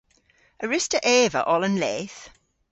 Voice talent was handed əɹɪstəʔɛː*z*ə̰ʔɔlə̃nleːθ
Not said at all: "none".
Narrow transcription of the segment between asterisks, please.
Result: v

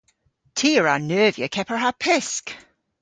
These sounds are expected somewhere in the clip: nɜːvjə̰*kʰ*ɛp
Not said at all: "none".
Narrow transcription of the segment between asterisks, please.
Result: kʰ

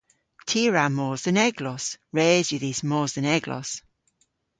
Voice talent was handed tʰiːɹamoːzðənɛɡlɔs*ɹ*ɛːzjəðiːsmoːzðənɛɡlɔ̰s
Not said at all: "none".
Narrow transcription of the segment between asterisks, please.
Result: ɹ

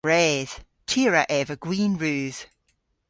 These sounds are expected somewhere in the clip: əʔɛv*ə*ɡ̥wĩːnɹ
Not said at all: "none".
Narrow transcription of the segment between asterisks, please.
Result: ə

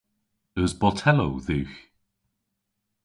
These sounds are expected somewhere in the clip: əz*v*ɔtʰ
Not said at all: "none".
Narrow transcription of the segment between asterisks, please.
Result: b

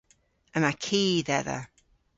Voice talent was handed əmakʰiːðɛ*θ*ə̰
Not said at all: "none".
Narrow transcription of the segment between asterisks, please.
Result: ð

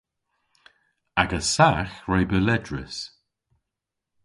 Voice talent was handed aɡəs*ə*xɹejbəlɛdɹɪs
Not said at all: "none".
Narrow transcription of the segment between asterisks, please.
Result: a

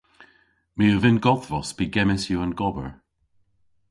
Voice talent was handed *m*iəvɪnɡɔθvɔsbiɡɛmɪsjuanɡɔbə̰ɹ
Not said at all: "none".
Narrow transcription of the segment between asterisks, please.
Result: m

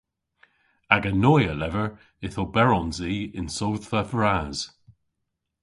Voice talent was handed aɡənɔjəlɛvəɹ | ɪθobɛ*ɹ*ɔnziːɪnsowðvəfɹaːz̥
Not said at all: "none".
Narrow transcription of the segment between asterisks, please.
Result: ɹ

